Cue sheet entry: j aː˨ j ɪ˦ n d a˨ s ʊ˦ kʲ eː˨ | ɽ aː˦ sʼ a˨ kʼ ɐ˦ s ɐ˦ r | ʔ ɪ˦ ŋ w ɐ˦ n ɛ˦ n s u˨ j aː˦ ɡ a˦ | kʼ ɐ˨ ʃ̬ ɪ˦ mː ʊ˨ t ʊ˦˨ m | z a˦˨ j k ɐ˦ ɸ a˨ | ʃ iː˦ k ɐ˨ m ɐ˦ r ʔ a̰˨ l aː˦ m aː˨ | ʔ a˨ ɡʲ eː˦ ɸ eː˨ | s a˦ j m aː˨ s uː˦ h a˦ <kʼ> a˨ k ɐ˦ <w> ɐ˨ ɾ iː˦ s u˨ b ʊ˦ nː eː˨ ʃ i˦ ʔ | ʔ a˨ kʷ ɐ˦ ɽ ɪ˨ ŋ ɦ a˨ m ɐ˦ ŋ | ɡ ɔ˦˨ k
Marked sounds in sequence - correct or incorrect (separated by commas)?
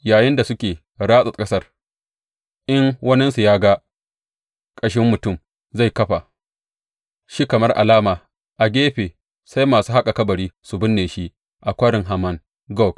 correct, incorrect